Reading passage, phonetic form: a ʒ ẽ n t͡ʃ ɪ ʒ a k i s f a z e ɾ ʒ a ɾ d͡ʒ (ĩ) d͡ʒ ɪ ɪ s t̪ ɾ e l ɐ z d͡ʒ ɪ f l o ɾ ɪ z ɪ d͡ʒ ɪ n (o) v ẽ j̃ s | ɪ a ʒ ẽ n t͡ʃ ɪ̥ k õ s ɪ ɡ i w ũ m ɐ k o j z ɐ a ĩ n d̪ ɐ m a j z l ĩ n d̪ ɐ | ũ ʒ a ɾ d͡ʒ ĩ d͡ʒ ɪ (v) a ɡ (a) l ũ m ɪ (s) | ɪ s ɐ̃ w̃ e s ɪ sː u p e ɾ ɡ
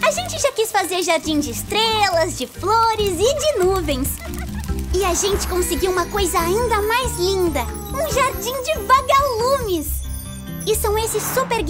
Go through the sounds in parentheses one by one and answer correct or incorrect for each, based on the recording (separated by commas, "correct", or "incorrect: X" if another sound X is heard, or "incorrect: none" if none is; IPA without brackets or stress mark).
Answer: correct, incorrect: u, correct, correct, correct